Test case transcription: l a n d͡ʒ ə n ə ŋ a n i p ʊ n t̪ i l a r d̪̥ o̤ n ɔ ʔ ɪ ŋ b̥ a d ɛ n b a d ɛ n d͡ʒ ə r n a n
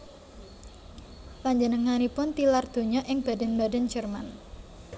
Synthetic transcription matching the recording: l a ɲ d͡ʒ ə n ə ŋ a n i p ʊ n t̪ i l a r d̪̥ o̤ ɲ ɔ ʔ ɪ ŋ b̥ a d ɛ n b a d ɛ n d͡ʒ ə r m a n